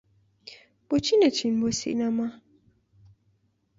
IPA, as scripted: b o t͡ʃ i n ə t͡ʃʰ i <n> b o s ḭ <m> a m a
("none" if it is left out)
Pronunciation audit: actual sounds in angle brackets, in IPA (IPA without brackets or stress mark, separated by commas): n, n